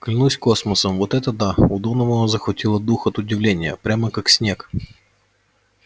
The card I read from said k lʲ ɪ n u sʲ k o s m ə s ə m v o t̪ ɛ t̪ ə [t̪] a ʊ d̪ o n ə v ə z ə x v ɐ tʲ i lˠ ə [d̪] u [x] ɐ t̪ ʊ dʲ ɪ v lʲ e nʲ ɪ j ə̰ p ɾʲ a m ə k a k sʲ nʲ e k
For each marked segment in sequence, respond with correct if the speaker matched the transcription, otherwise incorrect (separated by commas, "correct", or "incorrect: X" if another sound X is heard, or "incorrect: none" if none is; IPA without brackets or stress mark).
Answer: incorrect: d̪, correct, correct